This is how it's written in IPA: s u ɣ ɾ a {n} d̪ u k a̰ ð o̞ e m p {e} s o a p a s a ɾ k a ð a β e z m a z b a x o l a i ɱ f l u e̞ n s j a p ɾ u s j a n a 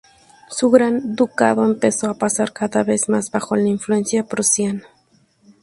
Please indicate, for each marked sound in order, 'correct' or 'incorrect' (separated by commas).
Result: correct, correct